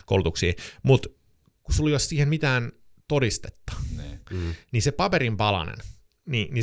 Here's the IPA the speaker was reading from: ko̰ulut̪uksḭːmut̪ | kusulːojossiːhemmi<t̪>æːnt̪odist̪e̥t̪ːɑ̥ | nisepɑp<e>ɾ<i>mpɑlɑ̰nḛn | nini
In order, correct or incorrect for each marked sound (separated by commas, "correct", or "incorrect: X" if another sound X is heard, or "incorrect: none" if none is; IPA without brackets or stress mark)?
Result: correct, correct, correct